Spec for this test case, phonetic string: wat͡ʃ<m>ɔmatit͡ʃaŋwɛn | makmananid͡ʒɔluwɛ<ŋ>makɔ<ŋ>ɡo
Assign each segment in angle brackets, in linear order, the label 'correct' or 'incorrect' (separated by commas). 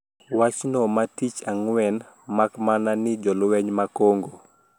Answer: incorrect, incorrect, correct